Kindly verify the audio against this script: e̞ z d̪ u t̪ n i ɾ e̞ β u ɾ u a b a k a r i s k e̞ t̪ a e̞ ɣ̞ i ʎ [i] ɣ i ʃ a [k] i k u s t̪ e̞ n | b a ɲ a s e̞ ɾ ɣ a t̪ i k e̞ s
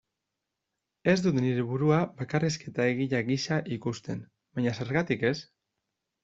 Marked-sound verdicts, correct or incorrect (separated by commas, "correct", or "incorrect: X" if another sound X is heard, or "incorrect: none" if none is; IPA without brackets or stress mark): incorrect: a, incorrect: ʔ